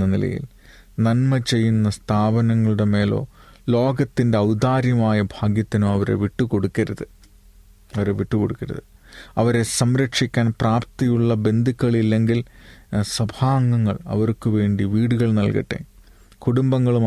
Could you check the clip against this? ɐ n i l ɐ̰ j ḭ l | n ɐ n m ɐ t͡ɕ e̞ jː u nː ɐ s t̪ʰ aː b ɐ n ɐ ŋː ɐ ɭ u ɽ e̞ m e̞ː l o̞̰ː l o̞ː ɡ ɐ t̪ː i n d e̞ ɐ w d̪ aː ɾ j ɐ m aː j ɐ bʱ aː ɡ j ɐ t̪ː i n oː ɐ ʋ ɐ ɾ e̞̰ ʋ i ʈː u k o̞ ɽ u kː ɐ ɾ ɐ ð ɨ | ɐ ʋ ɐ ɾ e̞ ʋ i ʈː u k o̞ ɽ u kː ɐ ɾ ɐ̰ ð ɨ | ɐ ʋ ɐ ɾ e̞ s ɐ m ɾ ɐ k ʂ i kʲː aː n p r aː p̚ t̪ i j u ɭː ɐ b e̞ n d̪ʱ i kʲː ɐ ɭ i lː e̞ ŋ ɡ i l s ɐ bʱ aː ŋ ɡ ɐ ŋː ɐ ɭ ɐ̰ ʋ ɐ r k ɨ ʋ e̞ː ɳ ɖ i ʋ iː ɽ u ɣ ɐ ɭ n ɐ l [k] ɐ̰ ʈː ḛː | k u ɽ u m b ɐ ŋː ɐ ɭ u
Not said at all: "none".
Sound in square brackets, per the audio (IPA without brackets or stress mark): k